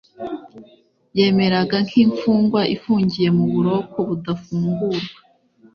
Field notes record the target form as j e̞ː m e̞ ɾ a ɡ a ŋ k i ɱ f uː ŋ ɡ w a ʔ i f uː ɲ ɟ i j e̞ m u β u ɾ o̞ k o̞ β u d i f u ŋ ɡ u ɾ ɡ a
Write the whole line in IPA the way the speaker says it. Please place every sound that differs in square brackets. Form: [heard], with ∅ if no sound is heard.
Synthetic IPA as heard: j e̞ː m e̞ ɾ a ɡ a ŋ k i ɱ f uː ŋ ɡ w a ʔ i f uː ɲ ɟ i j e̞ m u β u ɾ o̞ k o̞ β u d [a] f [uː] ŋ ɡ u ɾ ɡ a